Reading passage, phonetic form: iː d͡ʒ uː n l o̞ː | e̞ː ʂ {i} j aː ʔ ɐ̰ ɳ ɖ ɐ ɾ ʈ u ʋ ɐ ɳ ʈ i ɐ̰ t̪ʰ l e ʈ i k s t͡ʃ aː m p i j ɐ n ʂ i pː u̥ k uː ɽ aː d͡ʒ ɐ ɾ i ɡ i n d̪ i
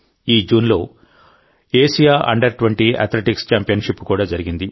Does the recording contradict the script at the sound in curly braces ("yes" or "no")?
no